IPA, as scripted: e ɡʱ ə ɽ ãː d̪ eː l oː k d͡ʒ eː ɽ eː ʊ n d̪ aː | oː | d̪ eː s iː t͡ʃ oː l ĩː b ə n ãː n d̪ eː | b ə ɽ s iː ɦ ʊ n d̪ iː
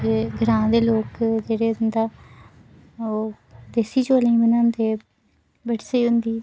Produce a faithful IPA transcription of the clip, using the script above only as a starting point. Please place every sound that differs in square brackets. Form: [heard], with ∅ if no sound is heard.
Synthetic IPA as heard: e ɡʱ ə [ɾ] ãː d̪ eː l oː k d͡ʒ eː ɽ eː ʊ n d̪ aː | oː | d̪ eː s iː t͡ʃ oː l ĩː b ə n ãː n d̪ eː | b ə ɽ s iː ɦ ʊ n d̪ iː